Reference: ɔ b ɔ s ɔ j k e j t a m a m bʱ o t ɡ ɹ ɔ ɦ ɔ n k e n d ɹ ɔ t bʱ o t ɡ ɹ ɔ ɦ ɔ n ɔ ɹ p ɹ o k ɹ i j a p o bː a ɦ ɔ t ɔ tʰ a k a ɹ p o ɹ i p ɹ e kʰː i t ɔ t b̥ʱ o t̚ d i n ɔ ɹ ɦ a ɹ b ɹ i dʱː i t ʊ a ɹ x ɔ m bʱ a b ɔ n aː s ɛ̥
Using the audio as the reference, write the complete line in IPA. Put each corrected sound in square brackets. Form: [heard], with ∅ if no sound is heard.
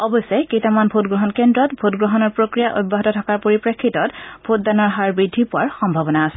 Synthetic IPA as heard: ɔ b ɔ s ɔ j k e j t a m a [n] bʱ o t ɡ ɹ ɔ ɦ ɔ n k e n d ɹ ɔ t bʱ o t ɡ ɹ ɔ ɦ ɔ n ɔ ɹ p ɹ o k ɹ i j a [ʔ] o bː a ɦ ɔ t ɔ tʰ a k a ɹ p o ɹ i p ɹ e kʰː i t ɔ t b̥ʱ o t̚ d [a] n ɔ ɹ ɦ a ɹ b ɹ i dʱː i [p] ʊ a ɹ x ɔ m bʱ a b ɔ n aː s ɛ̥